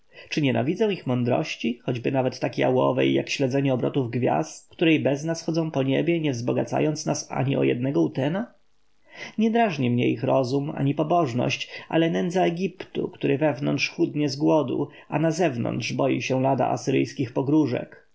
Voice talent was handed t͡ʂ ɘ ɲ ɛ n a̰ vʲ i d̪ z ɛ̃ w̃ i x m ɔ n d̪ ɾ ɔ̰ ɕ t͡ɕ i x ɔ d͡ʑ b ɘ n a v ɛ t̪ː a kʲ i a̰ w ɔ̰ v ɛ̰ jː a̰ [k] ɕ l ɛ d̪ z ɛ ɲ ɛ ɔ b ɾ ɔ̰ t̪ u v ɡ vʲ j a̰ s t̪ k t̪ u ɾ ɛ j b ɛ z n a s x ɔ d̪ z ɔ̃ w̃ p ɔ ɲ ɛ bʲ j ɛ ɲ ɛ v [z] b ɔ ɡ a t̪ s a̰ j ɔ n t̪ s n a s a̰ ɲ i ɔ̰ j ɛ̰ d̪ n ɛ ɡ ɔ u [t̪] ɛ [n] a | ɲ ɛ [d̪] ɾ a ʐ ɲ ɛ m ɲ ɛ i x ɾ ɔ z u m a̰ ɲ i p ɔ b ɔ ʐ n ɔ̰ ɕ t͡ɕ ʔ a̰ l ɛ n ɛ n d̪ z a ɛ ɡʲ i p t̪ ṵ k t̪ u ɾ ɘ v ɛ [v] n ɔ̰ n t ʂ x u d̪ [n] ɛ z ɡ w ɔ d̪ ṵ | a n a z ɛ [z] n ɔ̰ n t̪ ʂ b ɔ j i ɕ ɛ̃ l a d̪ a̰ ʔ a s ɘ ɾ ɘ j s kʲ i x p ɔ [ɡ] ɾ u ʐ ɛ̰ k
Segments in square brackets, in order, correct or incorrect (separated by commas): correct, correct, correct, correct, correct, correct, incorrect, incorrect, correct